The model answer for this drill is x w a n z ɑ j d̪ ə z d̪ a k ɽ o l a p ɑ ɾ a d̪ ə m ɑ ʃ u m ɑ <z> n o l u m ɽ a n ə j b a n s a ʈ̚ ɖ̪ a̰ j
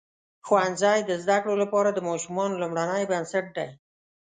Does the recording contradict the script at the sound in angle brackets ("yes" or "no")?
yes